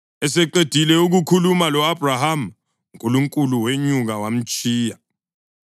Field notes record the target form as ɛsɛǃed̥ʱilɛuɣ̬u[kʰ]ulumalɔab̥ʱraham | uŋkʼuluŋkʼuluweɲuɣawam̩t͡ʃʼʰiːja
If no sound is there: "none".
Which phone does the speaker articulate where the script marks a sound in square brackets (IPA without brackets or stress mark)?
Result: kʰ